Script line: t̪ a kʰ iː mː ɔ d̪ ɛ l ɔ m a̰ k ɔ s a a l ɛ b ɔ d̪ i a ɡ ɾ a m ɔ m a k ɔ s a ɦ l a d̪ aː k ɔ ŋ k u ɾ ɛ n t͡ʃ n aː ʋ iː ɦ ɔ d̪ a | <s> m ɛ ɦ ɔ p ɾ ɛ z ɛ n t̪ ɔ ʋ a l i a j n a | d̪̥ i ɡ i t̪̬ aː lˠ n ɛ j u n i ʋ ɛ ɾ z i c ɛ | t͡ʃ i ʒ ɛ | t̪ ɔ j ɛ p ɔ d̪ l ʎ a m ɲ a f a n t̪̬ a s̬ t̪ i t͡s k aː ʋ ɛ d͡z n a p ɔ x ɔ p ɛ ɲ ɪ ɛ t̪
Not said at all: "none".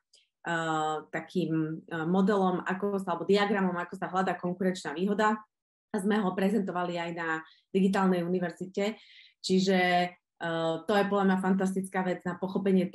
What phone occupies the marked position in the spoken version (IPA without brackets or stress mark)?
z